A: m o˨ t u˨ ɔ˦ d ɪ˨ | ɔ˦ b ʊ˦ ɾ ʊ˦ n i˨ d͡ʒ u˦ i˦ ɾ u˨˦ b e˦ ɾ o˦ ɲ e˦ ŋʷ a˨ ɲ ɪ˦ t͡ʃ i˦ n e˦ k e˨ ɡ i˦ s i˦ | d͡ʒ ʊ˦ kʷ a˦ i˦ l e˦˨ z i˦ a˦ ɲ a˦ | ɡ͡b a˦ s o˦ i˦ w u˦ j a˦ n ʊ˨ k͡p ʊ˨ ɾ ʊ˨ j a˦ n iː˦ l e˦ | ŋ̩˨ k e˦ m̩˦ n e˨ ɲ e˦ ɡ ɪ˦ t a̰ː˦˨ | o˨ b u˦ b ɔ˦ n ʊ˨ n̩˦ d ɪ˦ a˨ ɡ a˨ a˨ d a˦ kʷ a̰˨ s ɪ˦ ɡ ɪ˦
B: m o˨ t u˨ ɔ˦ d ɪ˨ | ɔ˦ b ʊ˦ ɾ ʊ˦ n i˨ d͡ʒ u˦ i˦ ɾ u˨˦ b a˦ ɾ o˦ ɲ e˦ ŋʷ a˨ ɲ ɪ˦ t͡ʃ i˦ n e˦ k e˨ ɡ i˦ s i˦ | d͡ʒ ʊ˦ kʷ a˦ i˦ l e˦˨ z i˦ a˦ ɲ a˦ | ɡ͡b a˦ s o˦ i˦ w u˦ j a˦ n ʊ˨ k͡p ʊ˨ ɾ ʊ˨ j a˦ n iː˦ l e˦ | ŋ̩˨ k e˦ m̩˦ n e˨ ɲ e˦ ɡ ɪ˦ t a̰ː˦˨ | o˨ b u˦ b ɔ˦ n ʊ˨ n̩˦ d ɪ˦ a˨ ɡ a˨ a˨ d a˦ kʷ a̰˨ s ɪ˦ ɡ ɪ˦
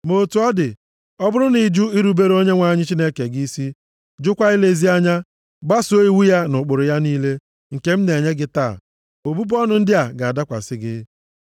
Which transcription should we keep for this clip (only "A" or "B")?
A